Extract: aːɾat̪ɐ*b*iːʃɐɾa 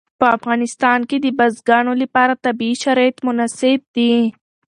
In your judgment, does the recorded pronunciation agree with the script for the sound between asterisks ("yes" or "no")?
yes